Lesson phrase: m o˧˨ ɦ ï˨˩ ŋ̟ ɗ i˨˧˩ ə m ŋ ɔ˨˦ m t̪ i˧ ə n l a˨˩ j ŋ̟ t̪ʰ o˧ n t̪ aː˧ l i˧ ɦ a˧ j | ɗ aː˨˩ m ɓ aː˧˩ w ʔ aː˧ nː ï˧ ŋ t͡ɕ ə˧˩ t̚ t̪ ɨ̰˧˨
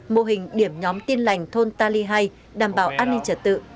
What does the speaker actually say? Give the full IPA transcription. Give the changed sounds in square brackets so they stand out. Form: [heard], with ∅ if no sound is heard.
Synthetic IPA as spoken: m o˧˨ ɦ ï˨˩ ŋ̟ ɗ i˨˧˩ ə m [ɲ] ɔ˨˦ m t̪ i˧ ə n l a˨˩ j ŋ̟ t̪ʰ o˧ n t̪ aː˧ l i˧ ɦ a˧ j | ɗ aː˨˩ m ɓ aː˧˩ w ʔ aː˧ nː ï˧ ŋ t͡ɕ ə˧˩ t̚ t̪ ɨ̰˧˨

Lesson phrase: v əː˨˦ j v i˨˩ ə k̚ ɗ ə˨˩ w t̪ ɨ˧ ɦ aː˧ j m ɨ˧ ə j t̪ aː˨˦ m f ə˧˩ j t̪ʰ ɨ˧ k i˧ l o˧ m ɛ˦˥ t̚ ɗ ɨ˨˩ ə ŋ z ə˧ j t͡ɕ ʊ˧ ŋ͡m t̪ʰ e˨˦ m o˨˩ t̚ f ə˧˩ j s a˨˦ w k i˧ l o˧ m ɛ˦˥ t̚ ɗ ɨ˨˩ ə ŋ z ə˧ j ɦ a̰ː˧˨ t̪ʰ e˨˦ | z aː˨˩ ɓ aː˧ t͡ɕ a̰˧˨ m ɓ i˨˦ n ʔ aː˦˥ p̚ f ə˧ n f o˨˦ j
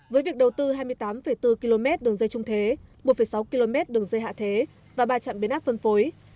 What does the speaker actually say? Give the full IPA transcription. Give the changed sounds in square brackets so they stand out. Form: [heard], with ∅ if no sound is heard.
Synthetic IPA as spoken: v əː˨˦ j v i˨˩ ə k̚ ɗ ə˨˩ w t̪ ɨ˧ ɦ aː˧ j m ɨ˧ ə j t̪ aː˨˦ m f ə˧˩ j [t̪] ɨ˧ k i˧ l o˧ m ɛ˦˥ t̚ ɗ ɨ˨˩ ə ŋ z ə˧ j t͡ɕ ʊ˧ ŋ͡m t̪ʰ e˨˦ m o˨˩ t̚ f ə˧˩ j s a˨˦ w k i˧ l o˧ m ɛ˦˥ t̚ ɗ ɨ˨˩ ə ŋ z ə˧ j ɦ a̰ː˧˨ t̪ʰ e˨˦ | [v] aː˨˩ ɓ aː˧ t͡ɕ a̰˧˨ m ɓ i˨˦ n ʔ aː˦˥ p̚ f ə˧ n f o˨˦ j

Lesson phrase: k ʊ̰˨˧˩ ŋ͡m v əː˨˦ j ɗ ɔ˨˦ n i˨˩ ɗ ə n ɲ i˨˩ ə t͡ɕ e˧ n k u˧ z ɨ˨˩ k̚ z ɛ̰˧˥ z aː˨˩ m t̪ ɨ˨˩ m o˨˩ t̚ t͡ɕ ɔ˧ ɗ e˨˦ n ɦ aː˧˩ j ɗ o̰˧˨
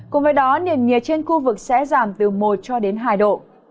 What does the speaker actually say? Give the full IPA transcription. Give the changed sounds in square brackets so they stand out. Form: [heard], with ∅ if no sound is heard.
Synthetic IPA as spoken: k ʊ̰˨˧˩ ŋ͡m v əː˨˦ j ɗ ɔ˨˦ n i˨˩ [∅] ə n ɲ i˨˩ ə t͡ɕ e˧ n [x] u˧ [v] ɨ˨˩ k̚ [s] ɛ̰˧˥ z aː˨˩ m t̪ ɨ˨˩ m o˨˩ t̚ t͡ɕ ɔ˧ ɗ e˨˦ n ɦ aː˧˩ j ɗ o̰˧˨

